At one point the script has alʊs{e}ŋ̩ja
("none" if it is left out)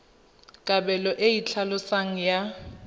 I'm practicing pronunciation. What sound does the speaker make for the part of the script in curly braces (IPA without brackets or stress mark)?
a